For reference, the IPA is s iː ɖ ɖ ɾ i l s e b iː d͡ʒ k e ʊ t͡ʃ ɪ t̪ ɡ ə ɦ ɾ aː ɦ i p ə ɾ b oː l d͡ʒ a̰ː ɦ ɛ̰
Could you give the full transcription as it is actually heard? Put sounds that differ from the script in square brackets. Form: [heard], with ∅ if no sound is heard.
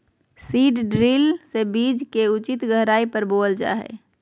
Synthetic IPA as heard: s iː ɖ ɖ ɾ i l s e b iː d͡ʒ k e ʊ t͡ʃ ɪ t̪ ɡ ə ɦ ɾ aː [∅] i p ə ɾ b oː l d͡ʒ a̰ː ɦ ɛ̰